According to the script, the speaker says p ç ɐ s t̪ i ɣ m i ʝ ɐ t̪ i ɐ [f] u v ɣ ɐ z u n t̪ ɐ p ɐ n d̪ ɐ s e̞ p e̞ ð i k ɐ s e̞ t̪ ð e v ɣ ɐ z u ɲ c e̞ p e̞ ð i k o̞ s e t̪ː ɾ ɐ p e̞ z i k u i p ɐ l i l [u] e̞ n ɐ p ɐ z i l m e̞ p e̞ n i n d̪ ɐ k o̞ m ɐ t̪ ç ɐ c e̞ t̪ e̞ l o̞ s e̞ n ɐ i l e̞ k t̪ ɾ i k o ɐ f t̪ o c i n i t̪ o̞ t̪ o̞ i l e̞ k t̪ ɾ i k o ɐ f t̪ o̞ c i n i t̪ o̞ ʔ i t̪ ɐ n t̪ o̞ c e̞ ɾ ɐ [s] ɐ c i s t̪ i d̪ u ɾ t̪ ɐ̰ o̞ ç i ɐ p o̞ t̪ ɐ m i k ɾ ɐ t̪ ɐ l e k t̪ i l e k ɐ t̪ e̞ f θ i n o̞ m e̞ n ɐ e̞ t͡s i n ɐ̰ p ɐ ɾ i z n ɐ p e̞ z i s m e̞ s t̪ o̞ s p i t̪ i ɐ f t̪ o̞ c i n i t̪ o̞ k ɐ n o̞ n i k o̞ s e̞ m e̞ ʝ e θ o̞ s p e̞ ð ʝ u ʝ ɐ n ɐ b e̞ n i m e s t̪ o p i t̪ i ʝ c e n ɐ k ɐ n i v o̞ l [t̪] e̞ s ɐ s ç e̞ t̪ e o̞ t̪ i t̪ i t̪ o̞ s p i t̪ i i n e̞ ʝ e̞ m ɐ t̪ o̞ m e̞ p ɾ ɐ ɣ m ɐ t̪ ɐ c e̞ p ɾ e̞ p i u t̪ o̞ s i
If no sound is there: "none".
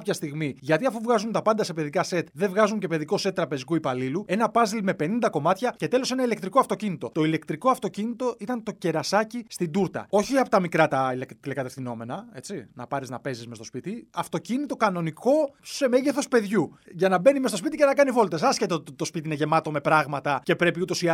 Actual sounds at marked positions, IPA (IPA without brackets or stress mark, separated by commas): f, u, s, t̪